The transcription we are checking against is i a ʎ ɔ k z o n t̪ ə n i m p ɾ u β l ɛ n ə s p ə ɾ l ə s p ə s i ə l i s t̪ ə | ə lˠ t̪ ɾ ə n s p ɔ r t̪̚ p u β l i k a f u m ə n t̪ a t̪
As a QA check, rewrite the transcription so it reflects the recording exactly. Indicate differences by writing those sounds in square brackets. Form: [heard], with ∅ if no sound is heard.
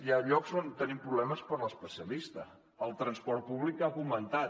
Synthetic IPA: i a ʎ ɔ k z o n t̪ ə n i m p ɾ u β l ɛ [m] ə s p ə ɾ l ə s p ə s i ə l i s t̪ ə | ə lˠ t̪ ɾ ə n s p ɔ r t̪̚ p u β l i k a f u m ə n t̪ a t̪